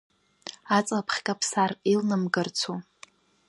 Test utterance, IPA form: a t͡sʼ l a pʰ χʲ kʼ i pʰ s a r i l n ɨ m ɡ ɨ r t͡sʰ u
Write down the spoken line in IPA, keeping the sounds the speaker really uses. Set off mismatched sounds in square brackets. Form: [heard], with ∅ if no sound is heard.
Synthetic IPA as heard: a t͡sʼ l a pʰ χʲ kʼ [a] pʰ s a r i l n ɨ m ɡ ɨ r t͡sʰ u